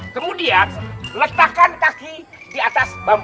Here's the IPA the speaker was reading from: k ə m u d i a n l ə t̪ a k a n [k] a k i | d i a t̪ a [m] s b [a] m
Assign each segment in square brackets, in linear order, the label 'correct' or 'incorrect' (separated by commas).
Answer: correct, incorrect, correct